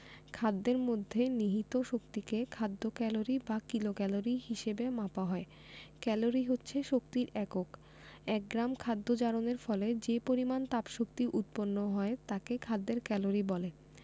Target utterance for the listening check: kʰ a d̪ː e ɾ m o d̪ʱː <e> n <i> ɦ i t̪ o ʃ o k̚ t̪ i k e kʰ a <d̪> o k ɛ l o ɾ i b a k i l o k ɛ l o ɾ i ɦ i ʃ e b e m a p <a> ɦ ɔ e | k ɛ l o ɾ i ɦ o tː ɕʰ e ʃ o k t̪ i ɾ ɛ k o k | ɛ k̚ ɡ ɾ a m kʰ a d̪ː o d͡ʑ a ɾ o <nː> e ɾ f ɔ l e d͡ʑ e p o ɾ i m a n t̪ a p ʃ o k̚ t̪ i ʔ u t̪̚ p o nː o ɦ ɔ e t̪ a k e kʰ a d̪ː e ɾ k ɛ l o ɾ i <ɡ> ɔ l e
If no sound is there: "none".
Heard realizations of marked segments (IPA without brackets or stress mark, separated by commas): e, i, d̪ː, a, n, b